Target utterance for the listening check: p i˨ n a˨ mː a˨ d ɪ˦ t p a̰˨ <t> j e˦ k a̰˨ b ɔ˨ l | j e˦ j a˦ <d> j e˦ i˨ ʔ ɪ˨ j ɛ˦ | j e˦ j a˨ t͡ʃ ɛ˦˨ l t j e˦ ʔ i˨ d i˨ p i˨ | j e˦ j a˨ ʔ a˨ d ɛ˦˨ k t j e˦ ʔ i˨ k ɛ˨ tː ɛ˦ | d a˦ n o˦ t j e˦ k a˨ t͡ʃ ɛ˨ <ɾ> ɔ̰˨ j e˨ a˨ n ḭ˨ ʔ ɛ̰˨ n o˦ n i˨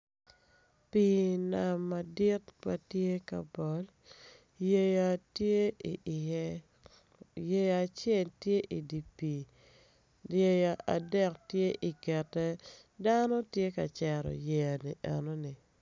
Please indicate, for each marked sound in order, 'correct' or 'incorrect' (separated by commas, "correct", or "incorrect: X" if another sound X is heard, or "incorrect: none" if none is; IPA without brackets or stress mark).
correct, incorrect: t, correct